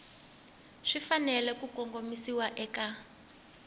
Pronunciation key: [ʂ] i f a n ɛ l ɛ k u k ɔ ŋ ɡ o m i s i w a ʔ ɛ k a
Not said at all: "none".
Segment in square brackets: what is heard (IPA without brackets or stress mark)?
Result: ʂ